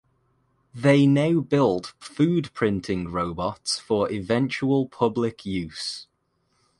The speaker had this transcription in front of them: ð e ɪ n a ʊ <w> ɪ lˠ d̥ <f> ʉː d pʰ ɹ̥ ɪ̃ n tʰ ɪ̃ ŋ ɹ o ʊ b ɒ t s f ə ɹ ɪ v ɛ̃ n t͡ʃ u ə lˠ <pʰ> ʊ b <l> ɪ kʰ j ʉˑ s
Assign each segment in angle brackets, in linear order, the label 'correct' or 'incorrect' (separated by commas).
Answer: incorrect, correct, correct, correct